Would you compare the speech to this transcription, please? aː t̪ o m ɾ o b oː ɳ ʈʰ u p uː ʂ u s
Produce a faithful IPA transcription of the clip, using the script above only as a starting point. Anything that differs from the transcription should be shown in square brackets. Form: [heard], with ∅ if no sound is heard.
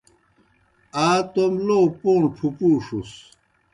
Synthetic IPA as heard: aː t̪ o m [l] o [p] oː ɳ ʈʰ u p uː ʂ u s